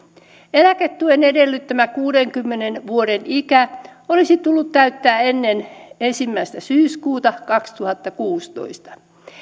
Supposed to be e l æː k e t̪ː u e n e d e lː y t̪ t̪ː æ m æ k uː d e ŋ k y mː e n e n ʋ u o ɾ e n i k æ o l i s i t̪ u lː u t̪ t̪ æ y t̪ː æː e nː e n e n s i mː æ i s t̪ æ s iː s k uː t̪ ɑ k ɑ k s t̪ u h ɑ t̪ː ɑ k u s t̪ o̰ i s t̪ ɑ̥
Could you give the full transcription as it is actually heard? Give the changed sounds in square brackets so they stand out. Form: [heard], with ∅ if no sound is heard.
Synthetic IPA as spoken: e l [æ] k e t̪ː u e n e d e lː y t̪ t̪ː æ m æ k uː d e ŋ k y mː e n e n ʋ u o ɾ e n i k æ o l i s i t̪ u lː u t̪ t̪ æ y t̪ː æː e nː e n e n s i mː æ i s t̪ æ s [yː] s k uː t̪ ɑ k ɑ k s t̪ u h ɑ t̪ː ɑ k [uː] s t̪ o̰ i s t̪ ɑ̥